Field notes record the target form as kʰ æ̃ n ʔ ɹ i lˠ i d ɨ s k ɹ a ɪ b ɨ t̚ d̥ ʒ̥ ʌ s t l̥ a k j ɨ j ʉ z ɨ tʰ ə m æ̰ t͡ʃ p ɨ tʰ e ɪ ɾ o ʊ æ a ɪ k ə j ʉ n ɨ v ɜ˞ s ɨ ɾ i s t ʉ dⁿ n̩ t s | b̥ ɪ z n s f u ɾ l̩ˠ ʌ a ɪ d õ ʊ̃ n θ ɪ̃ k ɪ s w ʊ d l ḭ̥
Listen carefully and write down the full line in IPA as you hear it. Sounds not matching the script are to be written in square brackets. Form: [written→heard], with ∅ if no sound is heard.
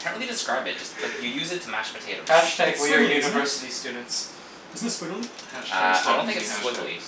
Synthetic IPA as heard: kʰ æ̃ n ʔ ɹ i lˠ i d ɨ s k ɹ a ɪ b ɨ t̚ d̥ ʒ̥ ʌ s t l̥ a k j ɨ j ʉ z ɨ tʰ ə m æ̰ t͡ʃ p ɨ tʰ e ɪ ɾ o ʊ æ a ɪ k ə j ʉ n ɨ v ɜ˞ s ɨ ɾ i s t ʉ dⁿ n̩ t s | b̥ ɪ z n s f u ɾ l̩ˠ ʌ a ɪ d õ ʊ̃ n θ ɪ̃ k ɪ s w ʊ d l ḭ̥